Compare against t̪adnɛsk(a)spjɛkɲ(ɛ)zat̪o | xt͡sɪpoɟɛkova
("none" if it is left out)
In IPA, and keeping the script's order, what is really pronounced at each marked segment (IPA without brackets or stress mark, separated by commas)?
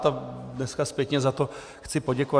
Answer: a, ɛ